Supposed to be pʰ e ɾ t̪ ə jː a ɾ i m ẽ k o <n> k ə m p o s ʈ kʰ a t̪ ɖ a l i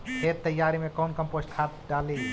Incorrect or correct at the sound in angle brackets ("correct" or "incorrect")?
correct